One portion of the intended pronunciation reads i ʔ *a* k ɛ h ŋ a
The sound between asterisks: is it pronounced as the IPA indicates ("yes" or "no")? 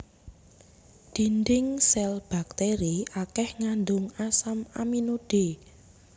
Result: yes